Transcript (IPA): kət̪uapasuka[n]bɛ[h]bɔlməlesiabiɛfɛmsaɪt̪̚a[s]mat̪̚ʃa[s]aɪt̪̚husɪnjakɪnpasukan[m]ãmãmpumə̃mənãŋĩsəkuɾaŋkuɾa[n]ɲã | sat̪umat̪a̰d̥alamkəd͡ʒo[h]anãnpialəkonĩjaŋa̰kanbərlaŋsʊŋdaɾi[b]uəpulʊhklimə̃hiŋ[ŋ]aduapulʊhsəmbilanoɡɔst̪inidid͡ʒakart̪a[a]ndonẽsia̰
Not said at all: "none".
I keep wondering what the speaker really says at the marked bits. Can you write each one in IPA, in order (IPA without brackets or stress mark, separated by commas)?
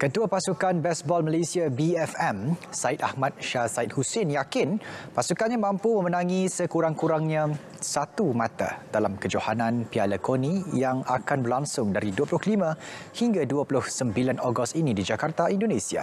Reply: n, s, h, s, ɲ, ŋ, h, d, ɡ, i